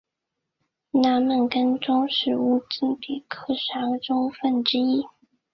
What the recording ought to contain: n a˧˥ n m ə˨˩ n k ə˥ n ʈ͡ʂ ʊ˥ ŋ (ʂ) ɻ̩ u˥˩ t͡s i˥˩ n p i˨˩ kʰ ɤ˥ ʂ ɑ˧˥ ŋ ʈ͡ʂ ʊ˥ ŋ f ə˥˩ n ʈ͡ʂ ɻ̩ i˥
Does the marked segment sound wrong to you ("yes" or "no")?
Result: no